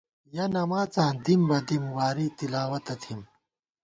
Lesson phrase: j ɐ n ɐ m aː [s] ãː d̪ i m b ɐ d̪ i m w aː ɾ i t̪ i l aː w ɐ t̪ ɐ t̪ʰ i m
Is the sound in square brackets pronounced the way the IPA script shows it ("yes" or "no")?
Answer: no